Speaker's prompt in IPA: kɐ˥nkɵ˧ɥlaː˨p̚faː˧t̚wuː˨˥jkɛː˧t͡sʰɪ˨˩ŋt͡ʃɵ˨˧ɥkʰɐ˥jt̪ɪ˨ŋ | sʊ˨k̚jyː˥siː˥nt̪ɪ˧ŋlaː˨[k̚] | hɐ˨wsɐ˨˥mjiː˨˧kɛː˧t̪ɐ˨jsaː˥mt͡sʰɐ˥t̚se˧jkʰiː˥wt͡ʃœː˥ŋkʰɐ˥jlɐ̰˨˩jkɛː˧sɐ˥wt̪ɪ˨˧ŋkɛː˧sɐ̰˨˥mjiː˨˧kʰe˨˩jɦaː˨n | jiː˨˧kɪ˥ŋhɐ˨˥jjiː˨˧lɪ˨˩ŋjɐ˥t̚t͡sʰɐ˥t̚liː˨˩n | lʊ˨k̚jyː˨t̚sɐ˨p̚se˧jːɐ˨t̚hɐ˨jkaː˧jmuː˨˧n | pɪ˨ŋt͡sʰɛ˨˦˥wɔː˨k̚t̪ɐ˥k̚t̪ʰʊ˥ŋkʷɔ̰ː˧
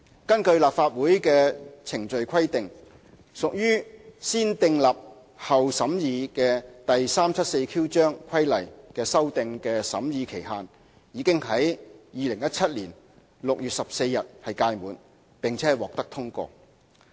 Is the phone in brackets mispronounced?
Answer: yes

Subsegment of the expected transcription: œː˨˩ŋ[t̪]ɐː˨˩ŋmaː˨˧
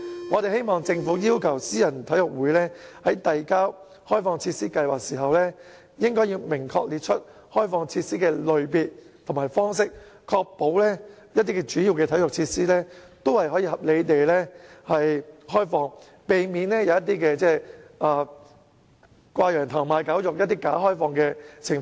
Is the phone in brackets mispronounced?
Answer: yes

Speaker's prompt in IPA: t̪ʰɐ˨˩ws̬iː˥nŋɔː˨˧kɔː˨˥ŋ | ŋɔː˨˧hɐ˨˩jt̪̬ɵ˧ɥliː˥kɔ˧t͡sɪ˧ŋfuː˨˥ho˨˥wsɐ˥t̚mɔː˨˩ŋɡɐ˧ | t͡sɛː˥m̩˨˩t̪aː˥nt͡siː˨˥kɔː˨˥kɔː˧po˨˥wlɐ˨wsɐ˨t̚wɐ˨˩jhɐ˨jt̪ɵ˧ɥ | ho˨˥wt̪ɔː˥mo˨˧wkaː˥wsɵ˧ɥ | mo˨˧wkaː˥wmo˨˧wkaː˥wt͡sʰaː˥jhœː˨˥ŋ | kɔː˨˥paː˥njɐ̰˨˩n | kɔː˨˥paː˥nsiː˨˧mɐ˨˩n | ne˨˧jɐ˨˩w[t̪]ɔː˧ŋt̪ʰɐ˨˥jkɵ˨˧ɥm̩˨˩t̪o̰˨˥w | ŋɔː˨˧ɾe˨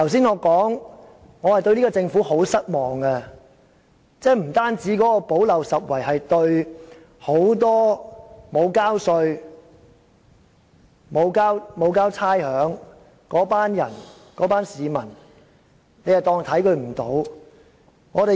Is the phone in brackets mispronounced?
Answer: no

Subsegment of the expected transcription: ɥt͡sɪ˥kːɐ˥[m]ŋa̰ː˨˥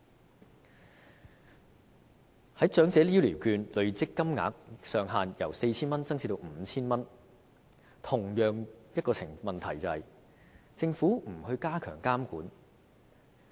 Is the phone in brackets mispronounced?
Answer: no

